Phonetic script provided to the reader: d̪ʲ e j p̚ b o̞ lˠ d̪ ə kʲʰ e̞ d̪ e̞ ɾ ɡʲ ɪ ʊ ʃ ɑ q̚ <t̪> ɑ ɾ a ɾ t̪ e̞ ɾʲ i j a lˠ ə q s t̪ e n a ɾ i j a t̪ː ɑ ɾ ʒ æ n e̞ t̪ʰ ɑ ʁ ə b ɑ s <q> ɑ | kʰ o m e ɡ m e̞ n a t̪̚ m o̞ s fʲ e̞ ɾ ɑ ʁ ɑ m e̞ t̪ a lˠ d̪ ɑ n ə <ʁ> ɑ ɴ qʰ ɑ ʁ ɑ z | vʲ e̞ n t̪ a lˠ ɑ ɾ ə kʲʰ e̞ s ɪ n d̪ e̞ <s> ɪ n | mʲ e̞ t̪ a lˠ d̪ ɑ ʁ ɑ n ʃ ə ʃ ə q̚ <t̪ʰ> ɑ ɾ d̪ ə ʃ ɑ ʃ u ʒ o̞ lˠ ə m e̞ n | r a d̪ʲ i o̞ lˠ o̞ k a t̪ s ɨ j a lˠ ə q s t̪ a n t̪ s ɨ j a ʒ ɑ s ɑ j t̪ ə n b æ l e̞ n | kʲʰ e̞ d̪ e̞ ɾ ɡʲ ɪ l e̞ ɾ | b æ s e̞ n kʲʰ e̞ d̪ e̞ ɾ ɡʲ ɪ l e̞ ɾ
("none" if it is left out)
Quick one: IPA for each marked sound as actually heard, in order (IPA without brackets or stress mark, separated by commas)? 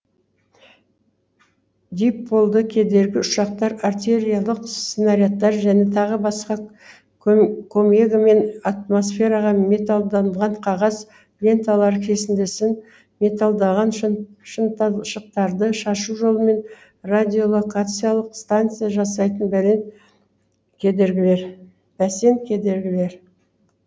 t̪, q, ʁ, s, t̪